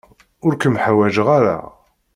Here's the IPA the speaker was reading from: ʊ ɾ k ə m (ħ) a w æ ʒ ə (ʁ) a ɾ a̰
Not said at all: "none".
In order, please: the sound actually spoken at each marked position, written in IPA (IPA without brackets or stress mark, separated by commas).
ħ, ʁ